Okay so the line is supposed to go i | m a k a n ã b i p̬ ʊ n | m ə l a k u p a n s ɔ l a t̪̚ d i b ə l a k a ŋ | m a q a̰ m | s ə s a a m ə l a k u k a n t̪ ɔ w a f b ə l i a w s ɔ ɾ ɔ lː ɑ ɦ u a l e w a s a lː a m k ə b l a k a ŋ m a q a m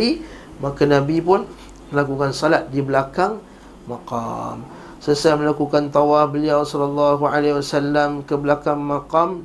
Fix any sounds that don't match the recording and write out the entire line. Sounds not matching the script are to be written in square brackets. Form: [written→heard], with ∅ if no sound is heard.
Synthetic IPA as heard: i | m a k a n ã b i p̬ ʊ n | m ə l a k u [p→k] a n s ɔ l a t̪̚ d i b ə l a k a ŋ | m a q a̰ m | s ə s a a m ə l a k u k a n t̪ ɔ w a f b ə l i a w s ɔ [ɾ→l] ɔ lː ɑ ɦ u a l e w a s a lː a m k ə b l a k a ŋ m a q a m